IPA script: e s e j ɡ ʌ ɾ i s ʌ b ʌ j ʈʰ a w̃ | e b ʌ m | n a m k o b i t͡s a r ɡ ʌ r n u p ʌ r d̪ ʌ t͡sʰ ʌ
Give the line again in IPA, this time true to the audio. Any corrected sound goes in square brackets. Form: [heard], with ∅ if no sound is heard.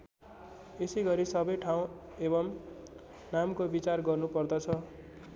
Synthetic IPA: e s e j ɡ ʌ ɾ i s ʌ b ʌ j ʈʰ a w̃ | e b ʌ m | n a m k o b i t͡s a r ɡ ʌ r n u p ʌ r d̪ ʌ t͡sʰ ʌ